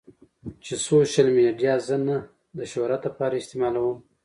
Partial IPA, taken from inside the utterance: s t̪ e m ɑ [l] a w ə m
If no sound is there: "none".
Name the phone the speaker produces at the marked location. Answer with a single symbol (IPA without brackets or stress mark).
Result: l